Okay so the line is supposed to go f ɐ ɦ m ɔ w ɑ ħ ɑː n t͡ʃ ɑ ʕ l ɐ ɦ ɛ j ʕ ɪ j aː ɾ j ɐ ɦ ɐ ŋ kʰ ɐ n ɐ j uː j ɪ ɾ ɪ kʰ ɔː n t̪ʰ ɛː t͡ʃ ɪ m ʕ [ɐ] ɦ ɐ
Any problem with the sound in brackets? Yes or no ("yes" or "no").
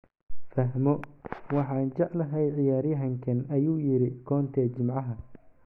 yes